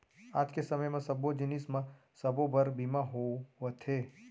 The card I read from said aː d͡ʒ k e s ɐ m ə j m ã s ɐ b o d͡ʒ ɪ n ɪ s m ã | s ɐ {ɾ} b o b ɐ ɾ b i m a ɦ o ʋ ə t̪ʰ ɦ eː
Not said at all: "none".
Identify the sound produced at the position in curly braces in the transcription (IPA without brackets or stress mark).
none